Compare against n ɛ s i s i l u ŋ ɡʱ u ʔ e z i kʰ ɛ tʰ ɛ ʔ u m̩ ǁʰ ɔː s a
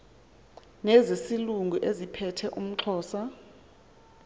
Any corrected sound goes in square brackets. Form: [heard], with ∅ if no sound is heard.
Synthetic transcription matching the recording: n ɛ [z] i s i l u ŋ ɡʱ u ʔ e z i [pʰ] ɛ tʰ ɛ ʔ u m̩ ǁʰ ɔː s a